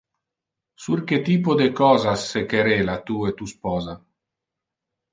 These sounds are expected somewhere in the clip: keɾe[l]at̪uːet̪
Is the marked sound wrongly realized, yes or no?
no